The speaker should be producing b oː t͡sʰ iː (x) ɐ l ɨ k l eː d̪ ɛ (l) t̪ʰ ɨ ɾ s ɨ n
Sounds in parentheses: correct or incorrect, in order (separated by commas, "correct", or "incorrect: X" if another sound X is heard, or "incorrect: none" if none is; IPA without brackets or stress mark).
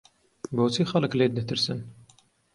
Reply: correct, incorrect: none